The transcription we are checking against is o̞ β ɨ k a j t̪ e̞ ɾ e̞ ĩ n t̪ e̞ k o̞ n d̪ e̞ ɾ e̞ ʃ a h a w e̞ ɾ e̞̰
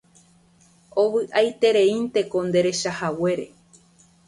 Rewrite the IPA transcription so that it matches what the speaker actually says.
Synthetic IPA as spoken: o̞ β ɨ ʔ a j t̪ e̞ ɾ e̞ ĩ n t̪ e̞ k o̞ n d̪ e̞ ɾ e̞ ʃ a h a w e̞ ɾ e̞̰